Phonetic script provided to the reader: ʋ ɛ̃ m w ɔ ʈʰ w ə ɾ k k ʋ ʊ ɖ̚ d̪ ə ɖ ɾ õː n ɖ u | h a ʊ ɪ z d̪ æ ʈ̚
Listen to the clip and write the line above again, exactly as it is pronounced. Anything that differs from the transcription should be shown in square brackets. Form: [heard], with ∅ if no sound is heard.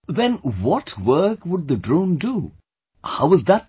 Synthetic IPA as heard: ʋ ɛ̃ [n] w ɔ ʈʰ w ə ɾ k k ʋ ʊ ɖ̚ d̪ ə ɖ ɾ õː n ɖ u | h a ʊ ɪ z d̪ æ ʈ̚